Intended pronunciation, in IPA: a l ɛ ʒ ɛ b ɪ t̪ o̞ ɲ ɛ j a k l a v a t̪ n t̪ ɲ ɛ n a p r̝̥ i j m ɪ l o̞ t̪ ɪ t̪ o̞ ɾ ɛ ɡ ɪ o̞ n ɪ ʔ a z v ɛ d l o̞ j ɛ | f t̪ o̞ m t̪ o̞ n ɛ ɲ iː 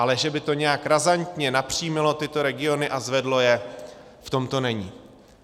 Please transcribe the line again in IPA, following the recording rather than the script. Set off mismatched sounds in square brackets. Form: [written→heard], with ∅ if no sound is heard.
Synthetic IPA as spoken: a l ɛ ʒ ɛ b ɪ t̪ o̞ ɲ ɛ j a k [l→ɾ] a [v→z] a [t̪→∅] n t̪ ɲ ɛ n a p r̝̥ i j m ɪ l o̞ t̪ ɪ t̪ o̞ ɾ ɛ ɡ ɪ o̞ n ɪ ʔ a z v ɛ d l o̞ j ɛ | f t̪ o̞ m t̪ o̞ n ɛ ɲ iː

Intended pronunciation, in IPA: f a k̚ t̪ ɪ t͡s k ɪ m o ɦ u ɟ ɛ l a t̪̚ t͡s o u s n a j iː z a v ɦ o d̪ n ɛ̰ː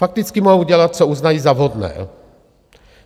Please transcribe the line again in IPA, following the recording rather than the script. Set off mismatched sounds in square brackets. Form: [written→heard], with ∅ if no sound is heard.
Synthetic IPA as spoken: f a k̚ t̪ ɪ t͡s k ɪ m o ɦ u ɟ ɛ l a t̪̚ t͡s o u [s→z] n a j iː z a v ɦ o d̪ n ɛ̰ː

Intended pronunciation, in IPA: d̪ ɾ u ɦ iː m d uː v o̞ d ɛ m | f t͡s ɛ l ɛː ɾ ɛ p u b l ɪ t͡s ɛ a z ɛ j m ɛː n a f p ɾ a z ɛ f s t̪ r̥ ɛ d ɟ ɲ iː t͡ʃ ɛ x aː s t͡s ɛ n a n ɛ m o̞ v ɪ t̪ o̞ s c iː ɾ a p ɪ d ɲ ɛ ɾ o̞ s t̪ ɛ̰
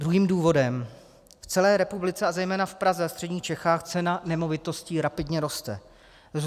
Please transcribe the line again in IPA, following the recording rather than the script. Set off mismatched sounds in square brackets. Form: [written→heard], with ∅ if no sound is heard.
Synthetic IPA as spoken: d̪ ɾ u ɦ iː m d uː v o̞ d ɛ m | f t͡s ɛ l ɛː ɾ ɛ p u b l ɪ t͡s ɛ a z ɛ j m ɛː n a f p ɾ a z ɛ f s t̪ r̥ ɛ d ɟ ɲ iː t͡ʃ ɛ x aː [s→x] t͡s ɛ n a n ɛ m o̞ v ɪ t̪ o̞ s c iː ɾ a p ɪ d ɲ ɛ ɾ o̞ s t̪ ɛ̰

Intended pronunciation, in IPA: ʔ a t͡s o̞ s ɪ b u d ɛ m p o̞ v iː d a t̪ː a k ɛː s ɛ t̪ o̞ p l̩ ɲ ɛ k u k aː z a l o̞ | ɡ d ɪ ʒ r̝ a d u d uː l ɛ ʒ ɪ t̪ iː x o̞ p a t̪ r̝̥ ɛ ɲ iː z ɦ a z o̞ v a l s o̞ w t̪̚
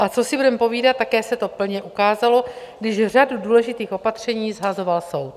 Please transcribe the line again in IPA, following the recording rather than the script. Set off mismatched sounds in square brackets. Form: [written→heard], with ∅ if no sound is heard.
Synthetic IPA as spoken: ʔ a t͡s o̞ s ɪ b u d ɛ m p o̞ v iː d a t̪ː a k ɛː s ɛ t̪ o̞ p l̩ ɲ ɛ [k→ʔ] u k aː z a l o̞ | ɡ d ɪ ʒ r̝ a d u d uː l ɛ ʒ ɪ t̪ iː x o̞ p a t̪ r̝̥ ɛ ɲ iː z ɦ a z o̞ v a l s o̞ w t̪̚

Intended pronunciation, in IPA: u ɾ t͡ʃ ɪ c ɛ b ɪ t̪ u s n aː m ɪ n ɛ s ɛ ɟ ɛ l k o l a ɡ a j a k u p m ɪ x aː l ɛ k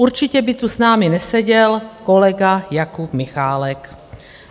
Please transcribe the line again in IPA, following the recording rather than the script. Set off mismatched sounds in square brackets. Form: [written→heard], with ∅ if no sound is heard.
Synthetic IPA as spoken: u ɾ t͡ʃ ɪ c ɛ b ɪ t̪ u s n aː m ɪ n ɛ s ɛ ɟ ɛ l k o l [a→ɛ] ɡ a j a k u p m ɪ x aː l ɛ k

